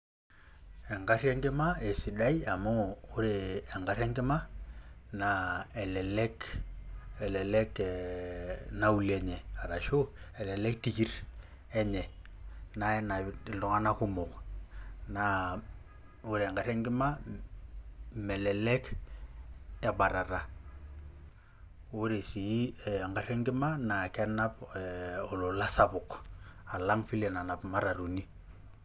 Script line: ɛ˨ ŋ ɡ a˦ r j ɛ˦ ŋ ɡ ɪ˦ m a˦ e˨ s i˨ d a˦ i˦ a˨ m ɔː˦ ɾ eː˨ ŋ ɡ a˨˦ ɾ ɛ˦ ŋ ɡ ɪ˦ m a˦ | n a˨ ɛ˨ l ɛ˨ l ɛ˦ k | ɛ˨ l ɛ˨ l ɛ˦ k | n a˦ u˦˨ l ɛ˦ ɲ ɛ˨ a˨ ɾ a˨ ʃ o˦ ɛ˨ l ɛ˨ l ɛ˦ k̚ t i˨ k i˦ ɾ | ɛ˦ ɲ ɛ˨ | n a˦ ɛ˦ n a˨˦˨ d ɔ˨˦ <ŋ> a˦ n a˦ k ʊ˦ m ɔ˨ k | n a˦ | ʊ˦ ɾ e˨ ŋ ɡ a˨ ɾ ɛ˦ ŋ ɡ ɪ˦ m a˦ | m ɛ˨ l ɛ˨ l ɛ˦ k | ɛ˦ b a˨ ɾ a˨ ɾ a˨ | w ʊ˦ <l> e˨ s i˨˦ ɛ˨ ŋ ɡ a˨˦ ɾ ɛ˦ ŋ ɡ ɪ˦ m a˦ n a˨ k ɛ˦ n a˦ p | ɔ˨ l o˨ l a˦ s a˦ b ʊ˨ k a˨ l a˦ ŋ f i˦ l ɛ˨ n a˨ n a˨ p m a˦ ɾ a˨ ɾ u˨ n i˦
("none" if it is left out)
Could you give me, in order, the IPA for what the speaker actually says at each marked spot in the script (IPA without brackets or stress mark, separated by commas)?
ŋ, ɾ